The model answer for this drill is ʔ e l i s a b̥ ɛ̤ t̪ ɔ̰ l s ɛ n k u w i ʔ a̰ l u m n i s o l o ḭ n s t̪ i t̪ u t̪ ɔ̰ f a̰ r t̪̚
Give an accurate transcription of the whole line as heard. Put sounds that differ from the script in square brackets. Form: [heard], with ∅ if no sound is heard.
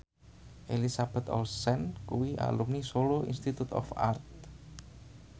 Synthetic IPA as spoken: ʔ e l i s a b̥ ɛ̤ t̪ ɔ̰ l s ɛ n k u w i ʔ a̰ l u m n i s o l o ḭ n s t̪ i t̪ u t̪ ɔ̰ f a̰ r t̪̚